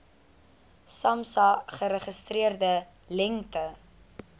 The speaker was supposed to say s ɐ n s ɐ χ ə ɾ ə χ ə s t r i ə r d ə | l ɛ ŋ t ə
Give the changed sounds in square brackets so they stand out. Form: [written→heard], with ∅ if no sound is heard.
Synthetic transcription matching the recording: s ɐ [n→m] s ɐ χ ə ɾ ə χ ə s t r i ə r d ə | l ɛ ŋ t ə